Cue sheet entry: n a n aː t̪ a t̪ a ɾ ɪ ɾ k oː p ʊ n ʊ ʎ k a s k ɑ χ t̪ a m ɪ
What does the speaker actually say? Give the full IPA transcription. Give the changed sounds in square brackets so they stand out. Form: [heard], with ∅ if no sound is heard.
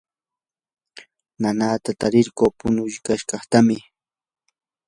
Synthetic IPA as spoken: n a n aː t̪ a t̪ a ɾ ɪ ɾ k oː p ʊ n ʊ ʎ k a [ʃ] k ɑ χ t̪ a m ɪ